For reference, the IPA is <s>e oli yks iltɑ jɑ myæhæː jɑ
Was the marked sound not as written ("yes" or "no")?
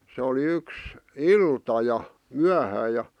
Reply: no